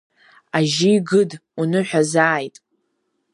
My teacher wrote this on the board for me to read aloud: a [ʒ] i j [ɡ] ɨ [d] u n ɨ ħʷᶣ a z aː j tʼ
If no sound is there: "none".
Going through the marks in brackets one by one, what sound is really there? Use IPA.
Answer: ʒ, ɡ, d

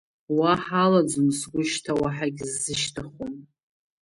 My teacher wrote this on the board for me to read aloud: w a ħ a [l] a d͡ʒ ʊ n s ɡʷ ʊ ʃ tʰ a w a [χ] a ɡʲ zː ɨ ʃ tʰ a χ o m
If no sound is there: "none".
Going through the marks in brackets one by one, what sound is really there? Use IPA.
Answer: l, ħ

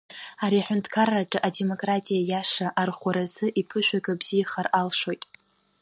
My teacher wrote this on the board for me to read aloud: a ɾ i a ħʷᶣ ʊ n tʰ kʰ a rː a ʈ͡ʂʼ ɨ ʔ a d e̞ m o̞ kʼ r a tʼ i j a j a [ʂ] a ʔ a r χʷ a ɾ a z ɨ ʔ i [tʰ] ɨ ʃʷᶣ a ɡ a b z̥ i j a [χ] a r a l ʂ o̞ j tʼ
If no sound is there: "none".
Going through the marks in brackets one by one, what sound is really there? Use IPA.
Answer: ʂ, pʰ, χ

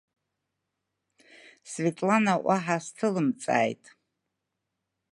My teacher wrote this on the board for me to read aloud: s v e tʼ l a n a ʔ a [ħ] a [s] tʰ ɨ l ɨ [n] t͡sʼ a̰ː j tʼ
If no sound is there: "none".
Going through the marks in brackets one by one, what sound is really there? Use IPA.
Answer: ħ, s, m

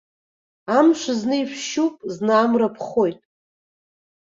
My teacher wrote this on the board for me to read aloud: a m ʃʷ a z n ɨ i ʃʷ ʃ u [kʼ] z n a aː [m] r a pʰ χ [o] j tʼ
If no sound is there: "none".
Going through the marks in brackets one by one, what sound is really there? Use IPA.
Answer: pʼ, m, o

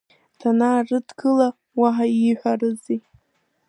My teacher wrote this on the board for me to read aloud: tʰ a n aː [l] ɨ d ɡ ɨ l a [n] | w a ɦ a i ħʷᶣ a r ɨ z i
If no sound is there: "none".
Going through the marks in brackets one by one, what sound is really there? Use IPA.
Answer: r, none

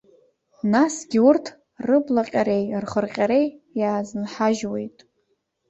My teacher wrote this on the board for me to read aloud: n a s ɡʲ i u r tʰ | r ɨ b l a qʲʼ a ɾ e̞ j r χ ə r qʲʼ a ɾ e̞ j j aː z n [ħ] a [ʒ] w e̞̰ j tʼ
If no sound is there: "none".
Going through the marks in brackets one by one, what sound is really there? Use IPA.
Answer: ħ, ʒ

